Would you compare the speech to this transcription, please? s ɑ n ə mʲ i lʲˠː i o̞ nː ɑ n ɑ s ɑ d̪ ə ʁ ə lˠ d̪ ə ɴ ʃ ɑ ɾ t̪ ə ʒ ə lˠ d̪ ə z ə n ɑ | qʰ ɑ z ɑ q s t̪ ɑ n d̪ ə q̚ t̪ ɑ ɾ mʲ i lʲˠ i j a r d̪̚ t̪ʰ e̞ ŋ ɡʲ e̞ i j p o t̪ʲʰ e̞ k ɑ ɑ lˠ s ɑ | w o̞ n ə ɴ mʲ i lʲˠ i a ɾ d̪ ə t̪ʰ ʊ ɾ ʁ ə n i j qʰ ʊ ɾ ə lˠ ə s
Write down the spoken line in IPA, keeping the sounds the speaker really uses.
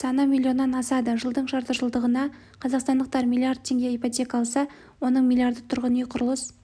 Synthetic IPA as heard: s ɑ n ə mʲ i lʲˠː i o̞ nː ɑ n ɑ s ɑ d̪ ə ʒ ə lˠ d̪ ə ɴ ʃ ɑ ɾ t̪ ə ʒ ə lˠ d̪ ə ʁ ə n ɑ | qʰ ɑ z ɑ q s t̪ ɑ n d̪ ə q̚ t̪ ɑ ɾ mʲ i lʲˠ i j a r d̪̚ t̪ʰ e̞ ŋ ɡʲ e̞ i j p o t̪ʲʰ e̞ k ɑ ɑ lˠ s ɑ | w o̞ n ə ɴ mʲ i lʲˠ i a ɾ d̪ ə t̪ʰ ʊ ɾ ʁ ə n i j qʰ ʊ ɾ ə lˠ ə s